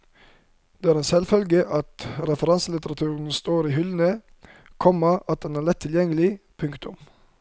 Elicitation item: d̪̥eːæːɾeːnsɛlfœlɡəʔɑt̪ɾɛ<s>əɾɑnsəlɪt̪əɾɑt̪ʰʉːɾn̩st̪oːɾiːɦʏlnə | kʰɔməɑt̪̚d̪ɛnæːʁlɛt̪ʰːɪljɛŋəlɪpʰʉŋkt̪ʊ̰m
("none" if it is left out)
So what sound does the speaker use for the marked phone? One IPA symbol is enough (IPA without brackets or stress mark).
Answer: f